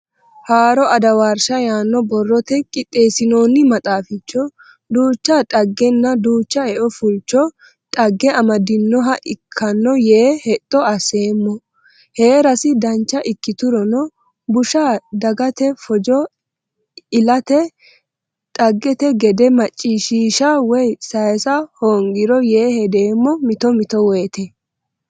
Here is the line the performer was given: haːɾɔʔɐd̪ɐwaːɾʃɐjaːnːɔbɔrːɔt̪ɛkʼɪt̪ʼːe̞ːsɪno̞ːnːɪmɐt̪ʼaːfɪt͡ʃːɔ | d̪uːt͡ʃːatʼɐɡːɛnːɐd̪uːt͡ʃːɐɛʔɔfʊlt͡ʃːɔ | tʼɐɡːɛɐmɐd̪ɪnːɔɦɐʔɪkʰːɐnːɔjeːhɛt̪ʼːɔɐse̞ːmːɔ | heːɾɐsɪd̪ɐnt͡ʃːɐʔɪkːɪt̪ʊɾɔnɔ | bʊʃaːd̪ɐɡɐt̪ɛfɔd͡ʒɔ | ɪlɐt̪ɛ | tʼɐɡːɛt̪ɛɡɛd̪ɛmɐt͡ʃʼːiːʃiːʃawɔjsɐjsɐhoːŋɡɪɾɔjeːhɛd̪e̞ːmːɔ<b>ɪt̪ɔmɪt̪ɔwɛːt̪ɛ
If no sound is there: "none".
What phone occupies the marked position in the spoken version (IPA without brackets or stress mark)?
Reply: m